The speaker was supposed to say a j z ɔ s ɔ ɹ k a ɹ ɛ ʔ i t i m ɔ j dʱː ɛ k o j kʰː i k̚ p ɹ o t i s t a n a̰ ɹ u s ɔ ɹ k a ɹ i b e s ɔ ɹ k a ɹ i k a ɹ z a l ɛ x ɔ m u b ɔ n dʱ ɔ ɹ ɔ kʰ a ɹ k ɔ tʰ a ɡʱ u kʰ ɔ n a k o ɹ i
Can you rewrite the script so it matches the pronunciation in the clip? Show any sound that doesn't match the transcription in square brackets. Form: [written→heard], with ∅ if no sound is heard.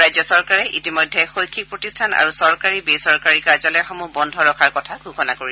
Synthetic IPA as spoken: a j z ɔ s ɔ ɹ k a ɹ ɛ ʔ i t i m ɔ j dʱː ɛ [k→x] o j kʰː i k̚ p ɹ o t i s [t→tʰ] a n a̰ ɹ u s ɔ ɹ k a ɹ i b e s ɔ ɹ k a ɹ i k a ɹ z a l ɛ x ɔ m u b ɔ n dʱ ɔ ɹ ɔ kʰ a ɹ k ɔ tʰ a ɡʱ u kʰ ɔ n a k o ɹ i